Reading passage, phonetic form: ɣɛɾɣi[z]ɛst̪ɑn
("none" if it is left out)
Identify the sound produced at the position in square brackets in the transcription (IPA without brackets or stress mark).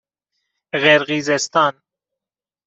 z